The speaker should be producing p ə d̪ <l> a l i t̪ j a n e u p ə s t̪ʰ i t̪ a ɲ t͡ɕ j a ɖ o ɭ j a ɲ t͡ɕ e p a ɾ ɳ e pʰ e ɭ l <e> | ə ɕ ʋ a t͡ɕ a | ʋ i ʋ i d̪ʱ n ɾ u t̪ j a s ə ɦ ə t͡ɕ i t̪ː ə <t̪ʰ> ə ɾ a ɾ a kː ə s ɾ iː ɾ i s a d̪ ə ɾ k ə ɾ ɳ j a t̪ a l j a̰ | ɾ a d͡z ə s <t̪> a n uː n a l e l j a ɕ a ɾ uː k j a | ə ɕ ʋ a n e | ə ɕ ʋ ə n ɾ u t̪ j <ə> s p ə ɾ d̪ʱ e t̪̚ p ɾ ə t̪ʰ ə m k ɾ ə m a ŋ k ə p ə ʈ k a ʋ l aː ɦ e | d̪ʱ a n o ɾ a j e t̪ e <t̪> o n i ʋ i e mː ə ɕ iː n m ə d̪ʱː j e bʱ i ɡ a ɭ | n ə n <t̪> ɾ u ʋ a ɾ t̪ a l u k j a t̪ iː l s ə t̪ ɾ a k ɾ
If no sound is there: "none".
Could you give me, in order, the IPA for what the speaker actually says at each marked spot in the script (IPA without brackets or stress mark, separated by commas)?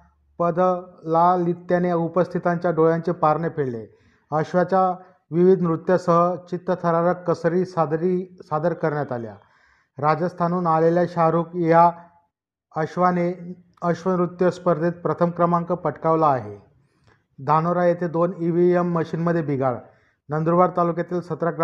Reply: l, e, t̪ʰ, t̪ʰ, ə, d̪, d̪